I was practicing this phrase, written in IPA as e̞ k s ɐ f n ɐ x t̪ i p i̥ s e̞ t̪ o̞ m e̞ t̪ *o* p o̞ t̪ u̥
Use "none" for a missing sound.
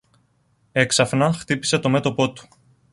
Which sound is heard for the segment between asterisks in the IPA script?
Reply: o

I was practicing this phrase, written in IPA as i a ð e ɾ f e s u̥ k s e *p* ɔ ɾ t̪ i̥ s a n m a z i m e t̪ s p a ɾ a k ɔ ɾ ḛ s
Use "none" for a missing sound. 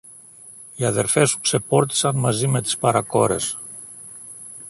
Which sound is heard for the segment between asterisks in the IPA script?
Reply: p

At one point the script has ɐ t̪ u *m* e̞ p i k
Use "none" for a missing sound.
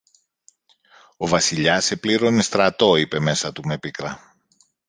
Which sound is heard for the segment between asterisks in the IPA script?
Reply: m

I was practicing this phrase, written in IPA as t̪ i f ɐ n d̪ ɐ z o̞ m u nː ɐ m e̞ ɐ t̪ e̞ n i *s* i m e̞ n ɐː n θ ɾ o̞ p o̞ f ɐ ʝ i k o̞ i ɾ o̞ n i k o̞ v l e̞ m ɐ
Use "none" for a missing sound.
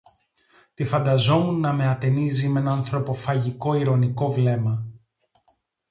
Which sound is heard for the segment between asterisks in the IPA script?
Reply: z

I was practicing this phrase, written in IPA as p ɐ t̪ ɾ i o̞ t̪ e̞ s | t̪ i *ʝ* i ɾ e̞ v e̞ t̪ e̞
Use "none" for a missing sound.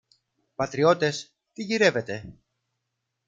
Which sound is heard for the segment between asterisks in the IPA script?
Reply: ʝ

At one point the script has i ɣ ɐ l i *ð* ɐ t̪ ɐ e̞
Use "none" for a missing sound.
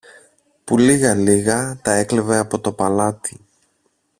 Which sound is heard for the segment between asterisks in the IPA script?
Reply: ɣ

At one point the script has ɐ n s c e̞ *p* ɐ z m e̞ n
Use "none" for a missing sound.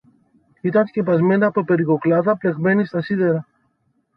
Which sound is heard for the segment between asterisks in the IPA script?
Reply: p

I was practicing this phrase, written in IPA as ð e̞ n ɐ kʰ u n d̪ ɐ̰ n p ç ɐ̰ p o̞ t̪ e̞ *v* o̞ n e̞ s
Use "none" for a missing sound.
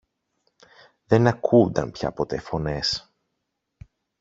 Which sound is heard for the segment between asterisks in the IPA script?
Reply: f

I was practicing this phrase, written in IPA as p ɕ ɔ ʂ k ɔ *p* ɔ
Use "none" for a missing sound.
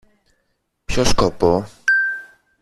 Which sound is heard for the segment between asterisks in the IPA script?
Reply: p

